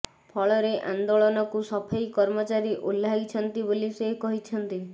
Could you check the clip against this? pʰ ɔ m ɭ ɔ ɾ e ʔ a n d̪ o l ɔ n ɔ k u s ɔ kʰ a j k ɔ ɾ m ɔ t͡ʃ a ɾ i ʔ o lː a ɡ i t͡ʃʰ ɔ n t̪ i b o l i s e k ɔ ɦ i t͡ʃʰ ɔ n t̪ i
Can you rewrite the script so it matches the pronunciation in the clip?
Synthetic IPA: pʰ ɔ ɭ ɔ ɾ e ʔ a n d̪ o ɭ ɔ n ɔ k u s ɔ pʰ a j k ɔ ɾ m ɔ t͡ʃ a ɾ i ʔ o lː a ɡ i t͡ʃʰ ɔ n t̪ i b o l i s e k ɔ ɦ i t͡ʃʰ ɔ n t̪ i